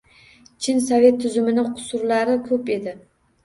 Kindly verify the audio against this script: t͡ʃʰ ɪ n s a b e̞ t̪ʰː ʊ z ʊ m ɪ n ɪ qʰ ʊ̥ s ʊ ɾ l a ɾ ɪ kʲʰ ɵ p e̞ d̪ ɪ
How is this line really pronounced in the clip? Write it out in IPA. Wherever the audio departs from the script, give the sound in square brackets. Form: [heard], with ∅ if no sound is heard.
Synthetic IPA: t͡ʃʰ ɪ n s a [v] e̞ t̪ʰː ʊ z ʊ m ɪ n ɪ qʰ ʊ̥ s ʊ ɾ l a ɾ ɪ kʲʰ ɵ p e̞ d̪ ɪ